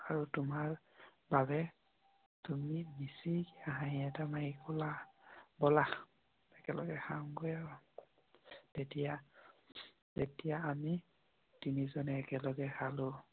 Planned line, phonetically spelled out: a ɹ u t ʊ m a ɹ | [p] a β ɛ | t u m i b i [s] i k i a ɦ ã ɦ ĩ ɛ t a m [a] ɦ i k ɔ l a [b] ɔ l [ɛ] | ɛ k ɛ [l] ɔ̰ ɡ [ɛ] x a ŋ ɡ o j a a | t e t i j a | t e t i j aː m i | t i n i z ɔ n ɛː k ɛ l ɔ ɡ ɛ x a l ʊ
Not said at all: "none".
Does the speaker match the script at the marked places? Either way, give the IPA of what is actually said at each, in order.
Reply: b, s, a, b, a, l, ɛ

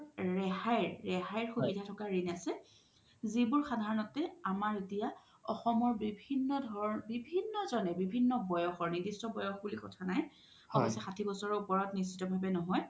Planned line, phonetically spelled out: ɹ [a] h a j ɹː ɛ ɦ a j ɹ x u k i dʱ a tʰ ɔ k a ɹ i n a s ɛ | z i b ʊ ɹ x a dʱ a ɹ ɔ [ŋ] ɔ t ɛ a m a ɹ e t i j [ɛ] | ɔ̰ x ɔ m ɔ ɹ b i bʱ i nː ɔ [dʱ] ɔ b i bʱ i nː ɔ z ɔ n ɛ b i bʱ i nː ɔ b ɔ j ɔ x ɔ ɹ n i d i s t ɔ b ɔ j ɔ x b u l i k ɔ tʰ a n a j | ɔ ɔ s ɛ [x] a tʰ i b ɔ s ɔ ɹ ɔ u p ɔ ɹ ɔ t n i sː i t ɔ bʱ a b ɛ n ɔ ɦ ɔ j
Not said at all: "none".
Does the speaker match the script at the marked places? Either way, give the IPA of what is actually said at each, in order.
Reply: ɛ, n, a, dʱ, x

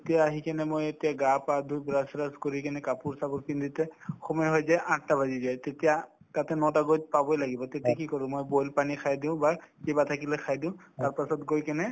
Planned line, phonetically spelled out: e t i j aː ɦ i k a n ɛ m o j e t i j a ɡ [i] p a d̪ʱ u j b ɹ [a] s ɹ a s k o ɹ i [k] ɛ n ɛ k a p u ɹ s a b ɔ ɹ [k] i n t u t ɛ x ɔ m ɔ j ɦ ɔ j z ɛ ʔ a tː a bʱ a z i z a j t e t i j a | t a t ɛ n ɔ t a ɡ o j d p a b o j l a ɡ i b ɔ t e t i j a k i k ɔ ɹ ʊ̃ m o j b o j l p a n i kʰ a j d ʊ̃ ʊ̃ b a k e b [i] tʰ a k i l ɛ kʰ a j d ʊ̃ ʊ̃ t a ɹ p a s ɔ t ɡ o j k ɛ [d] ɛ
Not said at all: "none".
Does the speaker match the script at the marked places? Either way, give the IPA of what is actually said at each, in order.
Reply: a, a, k, k, a, n

